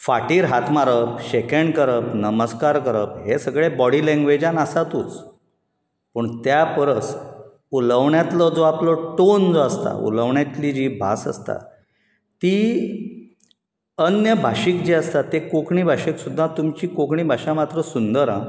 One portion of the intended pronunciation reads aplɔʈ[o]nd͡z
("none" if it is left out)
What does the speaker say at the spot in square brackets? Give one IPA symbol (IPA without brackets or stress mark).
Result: o